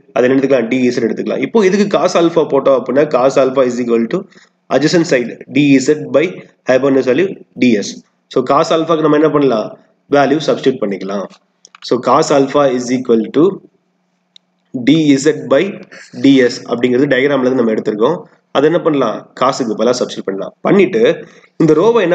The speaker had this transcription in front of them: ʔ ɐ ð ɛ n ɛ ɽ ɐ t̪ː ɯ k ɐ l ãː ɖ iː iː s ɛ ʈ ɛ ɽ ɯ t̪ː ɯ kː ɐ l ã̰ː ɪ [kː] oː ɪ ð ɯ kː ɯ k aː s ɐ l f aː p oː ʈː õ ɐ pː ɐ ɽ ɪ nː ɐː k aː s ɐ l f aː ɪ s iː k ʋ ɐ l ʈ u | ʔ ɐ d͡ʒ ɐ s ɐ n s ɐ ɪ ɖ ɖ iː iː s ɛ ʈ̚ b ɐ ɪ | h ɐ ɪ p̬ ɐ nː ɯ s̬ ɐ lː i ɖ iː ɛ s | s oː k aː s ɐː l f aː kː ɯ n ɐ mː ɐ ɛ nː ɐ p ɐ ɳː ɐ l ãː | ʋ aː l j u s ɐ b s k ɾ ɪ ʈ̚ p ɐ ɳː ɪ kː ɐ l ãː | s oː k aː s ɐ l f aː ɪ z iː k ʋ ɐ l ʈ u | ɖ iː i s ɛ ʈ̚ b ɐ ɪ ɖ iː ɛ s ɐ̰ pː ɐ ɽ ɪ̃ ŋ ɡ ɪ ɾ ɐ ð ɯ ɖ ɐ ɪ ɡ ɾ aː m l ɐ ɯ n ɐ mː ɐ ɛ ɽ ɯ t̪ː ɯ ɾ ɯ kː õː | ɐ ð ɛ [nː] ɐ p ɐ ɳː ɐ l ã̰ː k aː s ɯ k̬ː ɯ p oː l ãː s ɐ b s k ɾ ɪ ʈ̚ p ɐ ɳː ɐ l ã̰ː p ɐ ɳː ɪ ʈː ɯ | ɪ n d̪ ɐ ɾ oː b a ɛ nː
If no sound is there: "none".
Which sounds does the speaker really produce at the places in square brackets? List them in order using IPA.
pː, nː

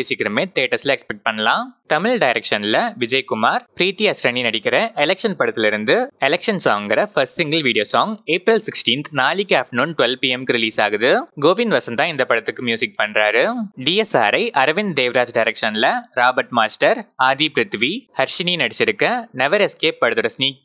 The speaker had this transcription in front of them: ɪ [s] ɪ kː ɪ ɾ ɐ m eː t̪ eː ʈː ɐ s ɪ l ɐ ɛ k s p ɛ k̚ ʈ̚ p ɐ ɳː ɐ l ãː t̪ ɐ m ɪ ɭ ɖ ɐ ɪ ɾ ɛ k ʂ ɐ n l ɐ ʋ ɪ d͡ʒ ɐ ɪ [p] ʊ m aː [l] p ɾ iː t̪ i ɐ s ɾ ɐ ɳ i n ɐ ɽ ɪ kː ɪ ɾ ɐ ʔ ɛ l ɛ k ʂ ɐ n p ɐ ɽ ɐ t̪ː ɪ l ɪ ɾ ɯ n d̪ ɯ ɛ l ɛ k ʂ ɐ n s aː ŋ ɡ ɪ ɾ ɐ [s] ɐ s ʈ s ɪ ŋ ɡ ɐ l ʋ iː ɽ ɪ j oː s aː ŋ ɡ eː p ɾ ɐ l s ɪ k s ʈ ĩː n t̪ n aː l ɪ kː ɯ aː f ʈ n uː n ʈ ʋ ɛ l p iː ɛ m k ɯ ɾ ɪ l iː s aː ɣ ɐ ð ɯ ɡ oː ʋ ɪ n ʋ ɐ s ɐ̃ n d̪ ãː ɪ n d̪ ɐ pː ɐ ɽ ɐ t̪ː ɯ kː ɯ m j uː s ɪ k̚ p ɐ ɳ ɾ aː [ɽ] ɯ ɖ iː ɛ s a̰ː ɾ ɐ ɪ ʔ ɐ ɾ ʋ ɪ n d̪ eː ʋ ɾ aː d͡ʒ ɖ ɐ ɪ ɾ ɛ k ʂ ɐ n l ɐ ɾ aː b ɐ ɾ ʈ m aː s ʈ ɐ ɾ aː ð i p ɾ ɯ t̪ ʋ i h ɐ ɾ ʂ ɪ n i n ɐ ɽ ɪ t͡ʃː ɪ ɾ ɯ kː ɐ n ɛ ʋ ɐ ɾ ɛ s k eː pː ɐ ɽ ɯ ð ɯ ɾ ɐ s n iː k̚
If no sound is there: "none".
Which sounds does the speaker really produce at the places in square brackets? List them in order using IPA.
s, k, ɾ, f, ɾ

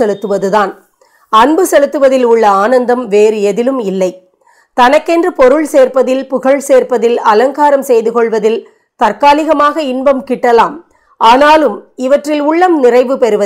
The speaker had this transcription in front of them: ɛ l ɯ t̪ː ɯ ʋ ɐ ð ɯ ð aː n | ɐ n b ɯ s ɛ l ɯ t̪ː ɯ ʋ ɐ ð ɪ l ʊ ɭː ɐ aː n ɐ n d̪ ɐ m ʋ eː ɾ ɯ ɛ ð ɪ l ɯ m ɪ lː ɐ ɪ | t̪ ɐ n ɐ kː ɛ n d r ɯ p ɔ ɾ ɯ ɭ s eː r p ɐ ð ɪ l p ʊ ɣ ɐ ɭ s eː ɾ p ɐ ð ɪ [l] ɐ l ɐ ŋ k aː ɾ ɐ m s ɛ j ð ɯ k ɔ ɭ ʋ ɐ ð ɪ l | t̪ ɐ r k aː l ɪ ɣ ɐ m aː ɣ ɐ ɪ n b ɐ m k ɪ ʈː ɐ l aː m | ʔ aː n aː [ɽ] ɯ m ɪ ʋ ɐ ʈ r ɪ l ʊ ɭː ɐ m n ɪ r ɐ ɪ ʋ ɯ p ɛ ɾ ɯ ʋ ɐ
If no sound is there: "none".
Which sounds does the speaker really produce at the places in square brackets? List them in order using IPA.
l, l

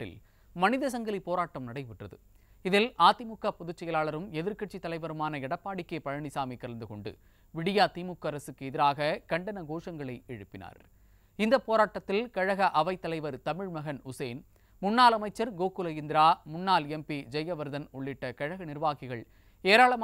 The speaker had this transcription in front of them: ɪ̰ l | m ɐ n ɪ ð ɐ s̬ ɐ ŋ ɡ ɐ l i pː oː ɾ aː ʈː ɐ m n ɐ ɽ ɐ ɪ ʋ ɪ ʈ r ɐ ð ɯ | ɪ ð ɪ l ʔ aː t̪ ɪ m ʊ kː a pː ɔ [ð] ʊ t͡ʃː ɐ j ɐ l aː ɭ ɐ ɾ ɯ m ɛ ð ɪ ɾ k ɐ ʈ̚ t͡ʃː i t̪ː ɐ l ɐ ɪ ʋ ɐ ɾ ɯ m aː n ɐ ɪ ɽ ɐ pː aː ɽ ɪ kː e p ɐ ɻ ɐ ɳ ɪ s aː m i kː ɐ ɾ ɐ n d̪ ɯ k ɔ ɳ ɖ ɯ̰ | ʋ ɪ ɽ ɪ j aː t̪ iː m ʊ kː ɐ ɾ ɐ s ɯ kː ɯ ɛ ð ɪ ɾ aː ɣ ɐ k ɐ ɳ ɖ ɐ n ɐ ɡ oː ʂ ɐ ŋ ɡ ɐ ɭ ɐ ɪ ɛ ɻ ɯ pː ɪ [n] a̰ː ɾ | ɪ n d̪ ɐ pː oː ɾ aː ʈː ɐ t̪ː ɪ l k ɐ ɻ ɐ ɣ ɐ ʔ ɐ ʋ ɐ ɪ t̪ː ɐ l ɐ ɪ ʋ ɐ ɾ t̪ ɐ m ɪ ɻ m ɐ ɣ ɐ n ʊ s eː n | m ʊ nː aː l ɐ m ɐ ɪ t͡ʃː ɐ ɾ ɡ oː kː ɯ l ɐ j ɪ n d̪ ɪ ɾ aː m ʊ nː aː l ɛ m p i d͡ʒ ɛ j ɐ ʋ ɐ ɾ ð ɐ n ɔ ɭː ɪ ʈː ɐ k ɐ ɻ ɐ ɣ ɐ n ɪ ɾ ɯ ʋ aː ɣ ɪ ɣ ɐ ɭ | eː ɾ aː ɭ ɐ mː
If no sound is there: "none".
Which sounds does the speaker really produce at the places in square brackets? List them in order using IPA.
ð, n

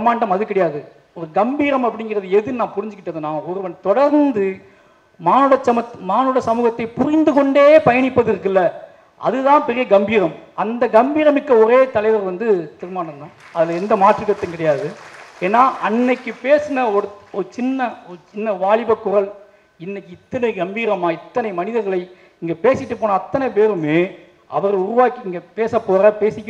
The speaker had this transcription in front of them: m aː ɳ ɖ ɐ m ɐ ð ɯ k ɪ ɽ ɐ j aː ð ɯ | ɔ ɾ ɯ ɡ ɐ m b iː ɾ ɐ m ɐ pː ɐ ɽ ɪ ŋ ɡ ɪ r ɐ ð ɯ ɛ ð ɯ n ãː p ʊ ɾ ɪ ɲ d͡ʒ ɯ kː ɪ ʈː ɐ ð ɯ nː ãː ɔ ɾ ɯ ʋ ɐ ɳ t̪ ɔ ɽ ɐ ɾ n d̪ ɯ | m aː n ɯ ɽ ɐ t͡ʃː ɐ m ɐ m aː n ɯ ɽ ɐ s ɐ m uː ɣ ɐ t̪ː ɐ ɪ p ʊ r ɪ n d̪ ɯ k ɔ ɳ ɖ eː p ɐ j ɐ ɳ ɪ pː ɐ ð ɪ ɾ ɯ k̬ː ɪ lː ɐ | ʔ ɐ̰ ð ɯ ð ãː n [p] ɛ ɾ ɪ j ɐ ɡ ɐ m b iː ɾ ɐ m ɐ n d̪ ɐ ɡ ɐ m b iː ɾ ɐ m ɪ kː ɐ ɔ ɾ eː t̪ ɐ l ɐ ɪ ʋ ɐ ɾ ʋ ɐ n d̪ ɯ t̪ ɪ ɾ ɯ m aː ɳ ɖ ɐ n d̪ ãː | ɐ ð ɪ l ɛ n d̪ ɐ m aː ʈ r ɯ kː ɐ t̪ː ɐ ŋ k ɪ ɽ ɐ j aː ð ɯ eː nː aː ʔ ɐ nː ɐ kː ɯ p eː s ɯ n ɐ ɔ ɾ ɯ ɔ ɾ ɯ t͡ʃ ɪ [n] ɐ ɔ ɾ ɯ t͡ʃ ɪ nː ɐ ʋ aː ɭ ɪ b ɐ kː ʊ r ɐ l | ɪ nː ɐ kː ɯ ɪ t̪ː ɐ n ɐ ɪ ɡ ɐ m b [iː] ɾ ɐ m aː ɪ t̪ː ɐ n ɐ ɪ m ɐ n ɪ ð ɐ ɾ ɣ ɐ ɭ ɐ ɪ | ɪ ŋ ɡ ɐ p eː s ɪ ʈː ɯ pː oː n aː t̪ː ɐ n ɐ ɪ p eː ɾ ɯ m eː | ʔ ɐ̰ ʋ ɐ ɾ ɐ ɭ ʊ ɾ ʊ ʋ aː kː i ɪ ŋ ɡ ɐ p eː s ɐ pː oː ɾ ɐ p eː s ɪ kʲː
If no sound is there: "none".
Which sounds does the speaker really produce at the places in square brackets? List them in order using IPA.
p, nː, iː

